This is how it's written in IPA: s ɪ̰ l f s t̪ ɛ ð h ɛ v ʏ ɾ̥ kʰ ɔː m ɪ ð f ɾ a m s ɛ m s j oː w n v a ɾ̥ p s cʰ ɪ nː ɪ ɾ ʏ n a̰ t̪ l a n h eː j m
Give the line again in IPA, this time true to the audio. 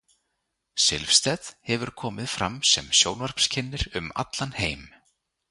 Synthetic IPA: s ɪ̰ l f s t̪ ɛ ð h ɛ v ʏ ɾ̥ kʰ ɔː m ɪ ð f ɾ a m s ɛ m s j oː w n v a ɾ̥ p s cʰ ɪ nː ɪ ɾ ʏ m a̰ t̪ l a n h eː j m